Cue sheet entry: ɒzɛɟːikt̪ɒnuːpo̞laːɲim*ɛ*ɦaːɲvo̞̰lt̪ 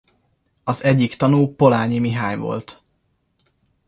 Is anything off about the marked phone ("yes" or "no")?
yes